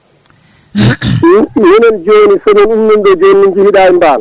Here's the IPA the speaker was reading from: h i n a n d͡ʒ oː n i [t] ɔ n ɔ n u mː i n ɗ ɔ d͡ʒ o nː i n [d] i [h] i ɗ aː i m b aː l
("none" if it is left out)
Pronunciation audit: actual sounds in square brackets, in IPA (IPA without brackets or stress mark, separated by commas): s, d͡ʒ, h